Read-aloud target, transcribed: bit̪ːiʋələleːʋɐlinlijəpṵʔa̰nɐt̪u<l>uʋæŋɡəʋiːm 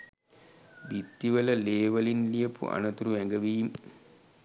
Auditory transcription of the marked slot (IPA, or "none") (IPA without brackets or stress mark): ɾ